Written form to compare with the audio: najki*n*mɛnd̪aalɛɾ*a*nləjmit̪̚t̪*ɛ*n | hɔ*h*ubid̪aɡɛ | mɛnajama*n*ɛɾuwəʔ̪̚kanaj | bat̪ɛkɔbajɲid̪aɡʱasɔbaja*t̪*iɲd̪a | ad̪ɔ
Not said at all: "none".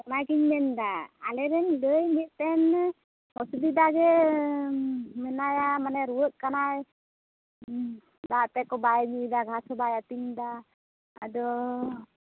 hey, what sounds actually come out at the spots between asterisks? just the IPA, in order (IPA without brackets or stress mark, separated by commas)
ɲ, ɛ, ɛ, s, n, t̪